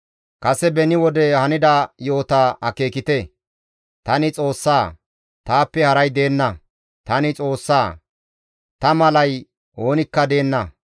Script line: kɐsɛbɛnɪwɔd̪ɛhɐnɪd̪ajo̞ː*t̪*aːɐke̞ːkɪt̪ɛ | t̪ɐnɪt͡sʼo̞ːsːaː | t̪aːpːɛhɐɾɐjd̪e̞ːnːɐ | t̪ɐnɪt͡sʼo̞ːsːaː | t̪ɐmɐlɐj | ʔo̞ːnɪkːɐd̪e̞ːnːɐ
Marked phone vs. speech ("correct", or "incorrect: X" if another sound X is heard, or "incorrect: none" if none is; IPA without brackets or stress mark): correct